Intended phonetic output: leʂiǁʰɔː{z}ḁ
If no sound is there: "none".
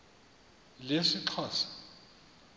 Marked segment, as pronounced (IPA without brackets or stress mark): s